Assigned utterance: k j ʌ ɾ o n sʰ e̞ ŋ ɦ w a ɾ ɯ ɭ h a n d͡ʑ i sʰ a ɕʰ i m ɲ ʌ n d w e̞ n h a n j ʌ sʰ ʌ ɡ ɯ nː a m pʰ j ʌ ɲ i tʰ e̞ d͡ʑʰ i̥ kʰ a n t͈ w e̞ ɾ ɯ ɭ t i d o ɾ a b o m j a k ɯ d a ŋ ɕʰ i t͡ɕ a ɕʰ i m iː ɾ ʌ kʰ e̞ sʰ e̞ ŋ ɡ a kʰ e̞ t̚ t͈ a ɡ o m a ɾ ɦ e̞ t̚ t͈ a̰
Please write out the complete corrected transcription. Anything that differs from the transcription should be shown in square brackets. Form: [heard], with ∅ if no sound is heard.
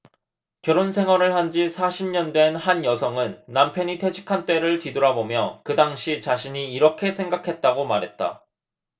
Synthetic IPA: k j ʌ ɾ o n sʰ e̞ ŋ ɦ w a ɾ ɯ ɭ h a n d͡ʑ i sʰ a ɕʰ i m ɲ ʌ n d w e̞ n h a n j ʌ sʰ ʌ [ŋ] ɯ nː a m pʰ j ʌ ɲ i tʰ e̞ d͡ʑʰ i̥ kʰ a n t͈ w e̞ ɾ ɯ ɭ t i d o ɾ a b o m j [ʌ] k ɯ d a ŋ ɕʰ i t͡ɕ a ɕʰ i [ɲ] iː ɾ ʌ kʰ e̞ sʰ e̞ ŋ ɡ a kʰ e̞ t̚ t͈ a ɡ o m a ɾ ɦ e̞ t̚ t͈ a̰